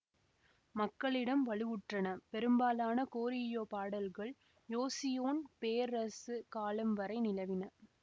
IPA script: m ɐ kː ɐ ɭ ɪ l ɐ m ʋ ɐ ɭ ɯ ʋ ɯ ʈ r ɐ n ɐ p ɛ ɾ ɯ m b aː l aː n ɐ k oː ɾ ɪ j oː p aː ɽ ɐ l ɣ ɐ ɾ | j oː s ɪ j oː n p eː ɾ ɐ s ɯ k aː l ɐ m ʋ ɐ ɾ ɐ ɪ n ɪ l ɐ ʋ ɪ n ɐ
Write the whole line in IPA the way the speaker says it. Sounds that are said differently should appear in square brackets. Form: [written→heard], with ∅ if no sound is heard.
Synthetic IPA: m ɐ kː ɐ ɭ ɪ [l→ɽ] ɐ m ʋ ɐ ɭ ɯ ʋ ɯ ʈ r ɐ n ɐ p ɛ ɾ ɯ m b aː l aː n ɐ k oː ɾ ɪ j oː p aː ɽ ɐ l ɣ ɐ [ɾ→ɭ] | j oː s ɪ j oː n p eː ɾ ɐ s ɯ k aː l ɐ m ʋ ɐ ɾ ɐ ɪ n ɪ l ɐ ʋ ɪ n ɐ

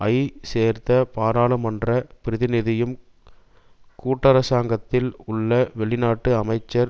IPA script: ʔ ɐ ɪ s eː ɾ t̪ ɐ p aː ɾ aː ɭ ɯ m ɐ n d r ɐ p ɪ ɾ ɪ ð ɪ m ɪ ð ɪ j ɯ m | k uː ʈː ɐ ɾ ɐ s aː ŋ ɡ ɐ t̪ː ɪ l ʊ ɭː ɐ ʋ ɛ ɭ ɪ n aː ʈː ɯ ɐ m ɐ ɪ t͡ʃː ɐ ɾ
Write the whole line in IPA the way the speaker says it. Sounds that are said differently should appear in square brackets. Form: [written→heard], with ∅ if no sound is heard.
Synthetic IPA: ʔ ɐ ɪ s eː ɾ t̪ ɐ p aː ɾ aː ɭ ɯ m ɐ n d r ɐ p ɪ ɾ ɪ ð ɪ [m→n] ɪ ð ɪ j ɯ m | k uː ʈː ɐ ɾ ɐ s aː ŋ ɡ ɐ t̪ː ɪ l ʊ ɭː ɐ ʋ ɛ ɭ ɪ n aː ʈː ɯ ɐ m ɐ ɪ t͡ʃː ɐ ɾ

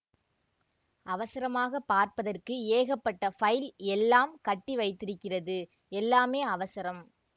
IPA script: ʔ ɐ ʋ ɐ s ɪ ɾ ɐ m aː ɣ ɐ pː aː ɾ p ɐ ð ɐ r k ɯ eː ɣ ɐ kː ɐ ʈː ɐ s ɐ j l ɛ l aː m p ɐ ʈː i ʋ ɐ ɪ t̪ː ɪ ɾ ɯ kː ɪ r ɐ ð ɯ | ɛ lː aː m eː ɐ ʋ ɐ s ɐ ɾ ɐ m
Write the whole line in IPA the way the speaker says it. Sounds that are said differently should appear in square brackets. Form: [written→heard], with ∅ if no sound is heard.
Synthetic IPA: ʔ ɐ ʋ ɐ s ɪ ɾ ɐ m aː ɣ ɐ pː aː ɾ p ɐ ð ɐ r k ɯ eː ɣ ɐ [kː→pː] ɐ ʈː ɐ [s→f] ɐ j l ɛ [l→lː] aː m [p→k] ɐ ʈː i ʋ ɐ ɪ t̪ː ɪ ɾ ɯ kː ɪ r ɐ ð ɯ | ɛ lː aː m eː ɐ ʋ ɐ s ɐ ɾ ɐ m

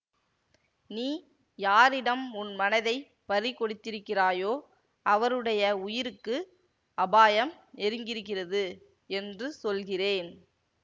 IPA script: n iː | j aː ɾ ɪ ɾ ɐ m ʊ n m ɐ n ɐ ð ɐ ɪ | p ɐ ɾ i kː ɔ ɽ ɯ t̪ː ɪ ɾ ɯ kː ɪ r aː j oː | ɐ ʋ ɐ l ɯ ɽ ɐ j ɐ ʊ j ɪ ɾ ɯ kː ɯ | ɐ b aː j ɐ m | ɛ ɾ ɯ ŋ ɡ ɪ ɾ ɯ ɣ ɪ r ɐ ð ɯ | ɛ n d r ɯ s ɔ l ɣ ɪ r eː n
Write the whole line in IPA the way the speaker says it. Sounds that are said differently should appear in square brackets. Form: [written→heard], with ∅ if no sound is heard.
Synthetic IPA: n iː | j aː ɾ ɪ [ɾ→ɽ] ɐ m ʊ n m ɐ n ɐ ð ɐ ɪ | p ɐ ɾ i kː ɔ ɽ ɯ t̪ː ɪ ɾ ɯ kː ɪ r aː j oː | ɐ ʋ ɐ [l→ɾ] ɯ ɽ ɐ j ɐ ʊ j ɪ ɾ ɯ kː ɯ | ɐ b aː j ɐ m | ɛ ɾ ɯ ŋ ɡ ɪ ɾ ɯ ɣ ɪ r ɐ ð ɯ | ɛ n d r ɯ s ɔ l ɣ ɪ r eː n

